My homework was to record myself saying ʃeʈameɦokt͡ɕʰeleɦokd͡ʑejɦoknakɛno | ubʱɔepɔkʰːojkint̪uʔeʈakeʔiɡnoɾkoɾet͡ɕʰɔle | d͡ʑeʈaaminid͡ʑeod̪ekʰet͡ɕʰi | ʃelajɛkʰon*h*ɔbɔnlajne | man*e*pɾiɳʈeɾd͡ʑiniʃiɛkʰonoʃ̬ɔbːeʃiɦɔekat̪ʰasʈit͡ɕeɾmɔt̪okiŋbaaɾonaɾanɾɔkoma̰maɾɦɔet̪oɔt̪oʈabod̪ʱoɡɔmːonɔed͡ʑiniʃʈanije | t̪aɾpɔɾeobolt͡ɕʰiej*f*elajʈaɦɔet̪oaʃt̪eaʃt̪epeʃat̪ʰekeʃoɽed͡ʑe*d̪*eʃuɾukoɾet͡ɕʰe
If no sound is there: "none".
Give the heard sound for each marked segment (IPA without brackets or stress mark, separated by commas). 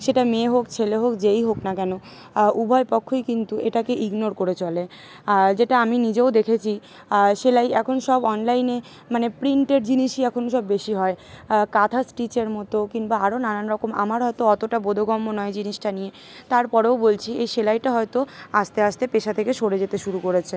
ʃ, e, ʃ, t̪